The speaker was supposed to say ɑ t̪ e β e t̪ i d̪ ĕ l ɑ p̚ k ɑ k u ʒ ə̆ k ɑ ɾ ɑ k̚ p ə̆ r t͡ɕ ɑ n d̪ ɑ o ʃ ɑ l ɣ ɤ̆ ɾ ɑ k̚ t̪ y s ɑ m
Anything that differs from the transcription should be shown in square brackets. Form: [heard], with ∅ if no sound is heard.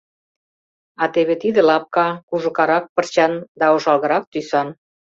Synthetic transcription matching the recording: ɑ t̪ e β e t̪ i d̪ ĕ l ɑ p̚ k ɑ k u ʒ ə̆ k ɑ ɾ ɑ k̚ p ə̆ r t͡ɕ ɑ n d̪ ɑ o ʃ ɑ l ɣ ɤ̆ ɾ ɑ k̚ t̪ y s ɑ [n]